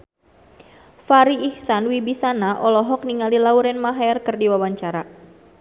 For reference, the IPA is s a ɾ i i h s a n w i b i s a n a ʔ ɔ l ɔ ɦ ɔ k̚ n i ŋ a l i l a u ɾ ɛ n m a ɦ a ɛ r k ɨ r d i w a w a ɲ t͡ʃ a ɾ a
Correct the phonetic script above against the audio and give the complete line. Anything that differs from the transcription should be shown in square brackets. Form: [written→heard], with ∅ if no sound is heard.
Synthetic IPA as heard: [s→f] a ɾ i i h s a n w i b i s a n a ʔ ɔ l ɔ ɦ ɔ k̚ n i ŋ a l i l a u ɾ ɛ n m a ɦ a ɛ r k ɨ r d i w a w a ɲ t͡ʃ a ɾ a